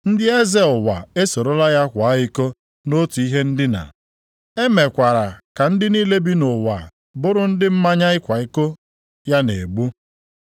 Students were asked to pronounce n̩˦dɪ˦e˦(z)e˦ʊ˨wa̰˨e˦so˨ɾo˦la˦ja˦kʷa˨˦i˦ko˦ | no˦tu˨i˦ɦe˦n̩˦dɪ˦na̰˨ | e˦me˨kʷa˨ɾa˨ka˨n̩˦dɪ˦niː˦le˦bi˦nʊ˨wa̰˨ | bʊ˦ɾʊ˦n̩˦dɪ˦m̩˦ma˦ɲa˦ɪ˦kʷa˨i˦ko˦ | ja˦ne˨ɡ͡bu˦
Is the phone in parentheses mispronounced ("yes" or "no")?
no